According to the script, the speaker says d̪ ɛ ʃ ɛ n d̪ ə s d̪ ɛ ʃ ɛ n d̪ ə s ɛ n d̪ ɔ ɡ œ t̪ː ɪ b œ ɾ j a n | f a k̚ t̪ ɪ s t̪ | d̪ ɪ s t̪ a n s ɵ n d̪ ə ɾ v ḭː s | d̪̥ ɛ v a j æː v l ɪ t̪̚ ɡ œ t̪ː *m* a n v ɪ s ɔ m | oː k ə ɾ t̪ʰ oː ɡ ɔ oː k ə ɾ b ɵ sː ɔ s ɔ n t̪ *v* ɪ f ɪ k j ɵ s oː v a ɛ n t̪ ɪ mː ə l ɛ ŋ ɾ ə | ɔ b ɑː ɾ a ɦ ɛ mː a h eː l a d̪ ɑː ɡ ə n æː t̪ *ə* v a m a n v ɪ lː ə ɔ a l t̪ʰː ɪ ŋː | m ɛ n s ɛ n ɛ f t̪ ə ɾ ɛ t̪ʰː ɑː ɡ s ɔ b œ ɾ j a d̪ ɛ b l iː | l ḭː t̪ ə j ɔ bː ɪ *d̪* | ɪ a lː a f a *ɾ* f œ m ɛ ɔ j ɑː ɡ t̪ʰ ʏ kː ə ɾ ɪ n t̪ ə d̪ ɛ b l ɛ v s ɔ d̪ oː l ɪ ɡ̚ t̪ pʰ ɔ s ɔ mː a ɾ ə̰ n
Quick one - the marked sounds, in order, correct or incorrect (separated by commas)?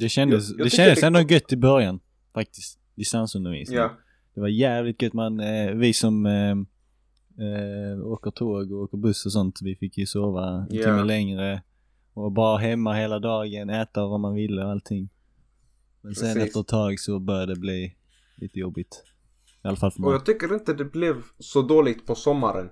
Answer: correct, correct, incorrect, incorrect, incorrect